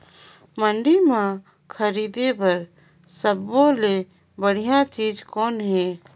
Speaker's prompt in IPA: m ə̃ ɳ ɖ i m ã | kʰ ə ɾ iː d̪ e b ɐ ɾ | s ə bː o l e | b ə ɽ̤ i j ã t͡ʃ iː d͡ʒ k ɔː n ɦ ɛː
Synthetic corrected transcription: m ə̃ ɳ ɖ i m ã | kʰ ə ɾ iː d̪ e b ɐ ɾ | s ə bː o l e | b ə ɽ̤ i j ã t͡ʃ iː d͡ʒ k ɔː n ɦ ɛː